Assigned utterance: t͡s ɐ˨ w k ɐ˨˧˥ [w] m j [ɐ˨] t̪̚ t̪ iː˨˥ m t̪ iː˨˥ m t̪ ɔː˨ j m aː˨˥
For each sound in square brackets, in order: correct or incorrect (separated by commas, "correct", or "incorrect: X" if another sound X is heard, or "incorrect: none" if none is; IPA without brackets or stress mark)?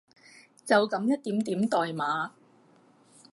incorrect: none, incorrect: ɐ˥